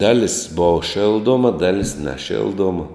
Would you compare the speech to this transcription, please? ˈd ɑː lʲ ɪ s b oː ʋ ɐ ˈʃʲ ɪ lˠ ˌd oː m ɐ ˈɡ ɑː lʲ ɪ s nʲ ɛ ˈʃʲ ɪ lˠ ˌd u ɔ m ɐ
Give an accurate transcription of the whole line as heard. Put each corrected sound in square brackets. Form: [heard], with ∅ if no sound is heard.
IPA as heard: ˈd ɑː lʲ ɪ s b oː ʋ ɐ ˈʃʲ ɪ lˠ ˌd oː m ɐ [ˈd] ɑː lʲ ɪ s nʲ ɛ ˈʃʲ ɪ lˠ ˌd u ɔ m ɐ

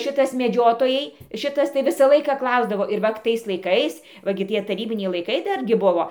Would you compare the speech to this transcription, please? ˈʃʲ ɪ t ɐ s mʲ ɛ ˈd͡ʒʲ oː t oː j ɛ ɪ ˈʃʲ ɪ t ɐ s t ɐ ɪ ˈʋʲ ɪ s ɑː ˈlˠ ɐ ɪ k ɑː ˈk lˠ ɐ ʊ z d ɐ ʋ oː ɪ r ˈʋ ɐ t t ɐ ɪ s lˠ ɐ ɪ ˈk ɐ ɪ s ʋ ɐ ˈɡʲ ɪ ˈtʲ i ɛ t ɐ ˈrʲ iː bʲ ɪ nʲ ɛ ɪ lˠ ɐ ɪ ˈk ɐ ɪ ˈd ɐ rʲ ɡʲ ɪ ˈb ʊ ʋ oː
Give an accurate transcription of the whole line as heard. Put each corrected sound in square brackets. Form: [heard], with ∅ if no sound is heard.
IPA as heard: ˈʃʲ ɪ t ɐ s mʲ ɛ ˈd͡ʒʲ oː t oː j ɛ ɪ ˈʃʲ ɪ t ɐ s t ɐ ɪ ˈʋʲ ɪ s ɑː ˈlˠ ɐ ɪ k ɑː ˈk lˠ ɐ ʊ z d ɐ ʋ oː ɪ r ˈʋ ɐ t t ɐ ɪ s lˠ ɐ ɪ ˈk ɐ ɪ s ʋ ɐ ˈɡʲ ɪ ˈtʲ i ɛ t ɐ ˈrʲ iː bʲ ɪ nʲ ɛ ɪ lˠ ɐ ɪ ˈk ɐ ɪ ˈd ɐ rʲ ɡʲ ɪ ˈb ʊ ʋ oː

